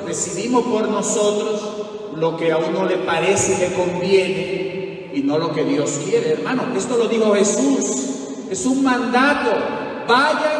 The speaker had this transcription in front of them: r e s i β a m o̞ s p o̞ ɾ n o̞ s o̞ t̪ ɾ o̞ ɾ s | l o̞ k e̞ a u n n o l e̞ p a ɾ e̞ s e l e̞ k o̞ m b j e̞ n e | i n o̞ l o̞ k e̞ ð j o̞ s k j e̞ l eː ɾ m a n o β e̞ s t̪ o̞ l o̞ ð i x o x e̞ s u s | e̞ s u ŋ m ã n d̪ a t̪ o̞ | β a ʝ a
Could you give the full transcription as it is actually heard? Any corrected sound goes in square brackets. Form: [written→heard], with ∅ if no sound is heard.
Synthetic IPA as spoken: r e s i β [a→i] m o̞ s p o̞ ɾ n o̞ s o̞ t̪ ɾ o̞ [ɾ→∅] s | l o̞ k e̞ a u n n o l e̞ p a ɾ e̞ s e l e̞ k o̞ m b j e̞ n e | i n o̞ l o̞ k e̞ ð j o̞ s k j e̞ [l→ɾ] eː ɾ m a n o [β→∅] e̞ s t̪ o̞ l o̞ ð i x o x e̞ s u s | e̞ s u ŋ m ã n d̪ a t̪ o̞ | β a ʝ a